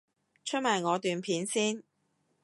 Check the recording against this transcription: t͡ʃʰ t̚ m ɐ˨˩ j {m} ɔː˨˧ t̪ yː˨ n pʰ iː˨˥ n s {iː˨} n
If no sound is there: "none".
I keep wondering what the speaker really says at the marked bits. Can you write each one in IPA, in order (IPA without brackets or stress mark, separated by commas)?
ŋ, iː˥